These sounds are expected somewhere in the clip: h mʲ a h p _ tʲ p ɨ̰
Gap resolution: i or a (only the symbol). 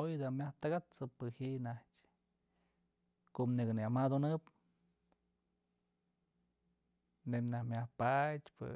a